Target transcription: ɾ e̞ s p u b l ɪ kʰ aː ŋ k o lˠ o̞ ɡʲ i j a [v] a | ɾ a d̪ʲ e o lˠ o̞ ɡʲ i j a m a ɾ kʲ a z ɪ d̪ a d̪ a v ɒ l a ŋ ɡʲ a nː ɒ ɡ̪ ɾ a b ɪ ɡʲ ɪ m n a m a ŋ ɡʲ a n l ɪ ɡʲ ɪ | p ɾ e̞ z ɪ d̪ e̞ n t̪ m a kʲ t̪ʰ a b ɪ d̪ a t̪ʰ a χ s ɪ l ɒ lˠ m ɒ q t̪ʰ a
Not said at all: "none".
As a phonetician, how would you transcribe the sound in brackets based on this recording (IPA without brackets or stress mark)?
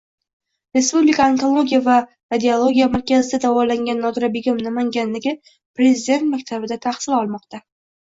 v